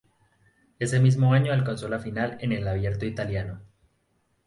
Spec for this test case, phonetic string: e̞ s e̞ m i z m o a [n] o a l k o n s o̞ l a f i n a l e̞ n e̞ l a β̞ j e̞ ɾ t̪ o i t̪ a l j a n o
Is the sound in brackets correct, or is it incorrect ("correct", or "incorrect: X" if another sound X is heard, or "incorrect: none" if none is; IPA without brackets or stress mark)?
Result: incorrect: ɲ